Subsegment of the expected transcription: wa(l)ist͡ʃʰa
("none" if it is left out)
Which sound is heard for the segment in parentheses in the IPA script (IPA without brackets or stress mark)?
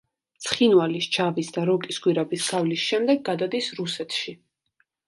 l